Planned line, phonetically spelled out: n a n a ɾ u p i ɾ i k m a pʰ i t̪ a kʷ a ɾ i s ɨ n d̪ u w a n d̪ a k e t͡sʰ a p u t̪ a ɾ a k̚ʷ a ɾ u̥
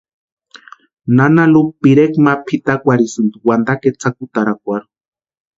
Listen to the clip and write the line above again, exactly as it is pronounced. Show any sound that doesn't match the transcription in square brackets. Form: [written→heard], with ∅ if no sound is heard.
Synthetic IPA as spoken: n a n a [ɾ→l] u p i ɾ [i→e] k m a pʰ i t̪ a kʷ a ɾ i s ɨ n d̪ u w a n d̪ a k e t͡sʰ a [p→k] u t̪ a ɾ a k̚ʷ a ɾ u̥